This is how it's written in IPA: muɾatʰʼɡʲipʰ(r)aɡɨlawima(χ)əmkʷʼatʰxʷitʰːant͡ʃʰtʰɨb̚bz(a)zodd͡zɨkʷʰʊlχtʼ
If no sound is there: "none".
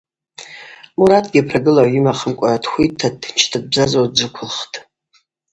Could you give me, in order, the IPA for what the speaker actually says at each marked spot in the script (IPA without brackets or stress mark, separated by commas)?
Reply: r, χ, a